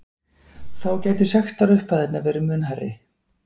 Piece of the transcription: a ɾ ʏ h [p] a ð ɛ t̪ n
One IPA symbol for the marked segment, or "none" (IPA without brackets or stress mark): p